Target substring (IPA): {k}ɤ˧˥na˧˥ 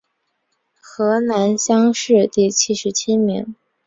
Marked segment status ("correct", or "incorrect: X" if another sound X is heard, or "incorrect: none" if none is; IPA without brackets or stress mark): incorrect: x